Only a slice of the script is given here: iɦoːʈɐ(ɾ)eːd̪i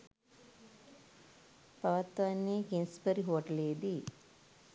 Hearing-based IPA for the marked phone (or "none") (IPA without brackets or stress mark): l